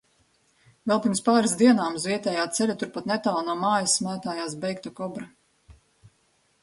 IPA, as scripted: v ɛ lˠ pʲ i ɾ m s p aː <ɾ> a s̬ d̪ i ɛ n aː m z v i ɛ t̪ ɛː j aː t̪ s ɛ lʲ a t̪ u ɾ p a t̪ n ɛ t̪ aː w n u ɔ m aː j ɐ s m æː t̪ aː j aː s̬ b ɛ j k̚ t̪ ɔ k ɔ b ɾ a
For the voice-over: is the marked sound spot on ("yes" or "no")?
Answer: yes